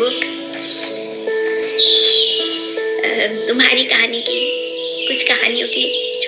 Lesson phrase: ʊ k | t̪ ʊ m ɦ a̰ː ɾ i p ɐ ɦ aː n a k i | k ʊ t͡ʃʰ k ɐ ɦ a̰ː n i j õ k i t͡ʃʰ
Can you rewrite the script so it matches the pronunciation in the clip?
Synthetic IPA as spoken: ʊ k | t̪ ʊ m ɦ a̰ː ɾ i k ɐ ɦ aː n i k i | k ʊ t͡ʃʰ k ɐ ɦ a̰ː n i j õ k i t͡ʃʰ